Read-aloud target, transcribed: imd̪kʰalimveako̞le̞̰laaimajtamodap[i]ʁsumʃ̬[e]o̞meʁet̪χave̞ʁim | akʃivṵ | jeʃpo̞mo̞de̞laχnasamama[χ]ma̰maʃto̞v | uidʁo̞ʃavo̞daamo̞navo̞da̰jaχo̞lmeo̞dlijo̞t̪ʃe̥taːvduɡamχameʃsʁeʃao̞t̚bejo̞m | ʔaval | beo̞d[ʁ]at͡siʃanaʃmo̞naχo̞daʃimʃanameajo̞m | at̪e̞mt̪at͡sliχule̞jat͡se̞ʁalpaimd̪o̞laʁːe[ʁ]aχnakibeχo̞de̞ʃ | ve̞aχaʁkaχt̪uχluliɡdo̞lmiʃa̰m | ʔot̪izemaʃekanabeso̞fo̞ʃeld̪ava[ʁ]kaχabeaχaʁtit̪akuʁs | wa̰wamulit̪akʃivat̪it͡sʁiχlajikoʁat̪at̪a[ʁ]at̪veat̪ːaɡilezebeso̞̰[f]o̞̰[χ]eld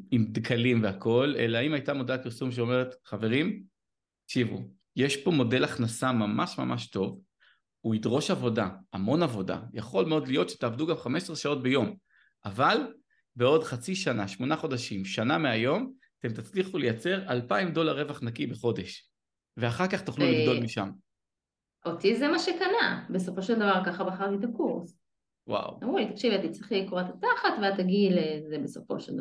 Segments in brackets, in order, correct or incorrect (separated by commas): correct, correct, incorrect, incorrect, incorrect, correct, incorrect, correct, incorrect